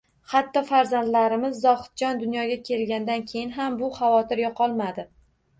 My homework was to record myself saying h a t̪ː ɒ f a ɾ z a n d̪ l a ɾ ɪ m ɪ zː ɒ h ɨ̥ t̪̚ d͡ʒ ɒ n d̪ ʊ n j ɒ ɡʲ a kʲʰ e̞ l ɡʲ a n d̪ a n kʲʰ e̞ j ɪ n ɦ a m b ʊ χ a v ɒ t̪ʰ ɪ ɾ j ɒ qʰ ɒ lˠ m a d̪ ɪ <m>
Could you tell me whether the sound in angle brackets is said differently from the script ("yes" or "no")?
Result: yes